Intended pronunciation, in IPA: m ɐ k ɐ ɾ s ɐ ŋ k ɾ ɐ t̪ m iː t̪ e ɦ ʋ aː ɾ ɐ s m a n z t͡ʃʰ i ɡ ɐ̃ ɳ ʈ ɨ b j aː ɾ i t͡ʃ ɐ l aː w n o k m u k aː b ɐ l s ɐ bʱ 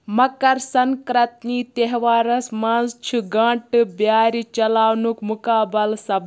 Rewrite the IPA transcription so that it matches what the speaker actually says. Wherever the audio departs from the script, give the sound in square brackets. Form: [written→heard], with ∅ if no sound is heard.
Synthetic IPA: m ɐ k ɐ ɾ s ɐ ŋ k ɾ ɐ t̪ [m→n] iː t̪ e ɦ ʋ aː ɾ ɐ s m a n z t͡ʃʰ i ɡ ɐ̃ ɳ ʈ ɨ b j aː ɾ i t͡ʃ ɐ l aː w n [o→u] k m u k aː b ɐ l s ɐ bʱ